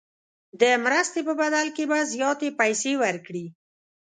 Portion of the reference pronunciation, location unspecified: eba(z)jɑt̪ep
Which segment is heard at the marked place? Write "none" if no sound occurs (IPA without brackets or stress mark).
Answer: z